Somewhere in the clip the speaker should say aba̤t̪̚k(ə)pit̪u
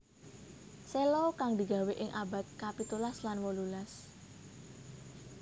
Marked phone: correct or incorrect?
incorrect